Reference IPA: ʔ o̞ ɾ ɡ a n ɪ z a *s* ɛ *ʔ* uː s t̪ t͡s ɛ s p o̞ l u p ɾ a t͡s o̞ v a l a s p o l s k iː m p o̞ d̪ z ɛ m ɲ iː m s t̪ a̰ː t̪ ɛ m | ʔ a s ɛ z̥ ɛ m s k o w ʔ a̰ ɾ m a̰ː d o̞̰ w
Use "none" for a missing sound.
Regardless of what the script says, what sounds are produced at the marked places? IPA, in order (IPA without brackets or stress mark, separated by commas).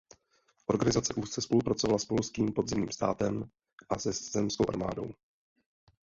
t͡s, ʔ